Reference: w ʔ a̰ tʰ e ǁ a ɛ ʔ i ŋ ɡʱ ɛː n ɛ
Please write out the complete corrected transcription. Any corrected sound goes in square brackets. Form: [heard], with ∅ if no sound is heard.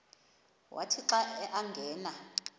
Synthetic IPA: w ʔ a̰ tʰ [i] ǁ a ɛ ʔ [a] ŋ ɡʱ ɛː n [a]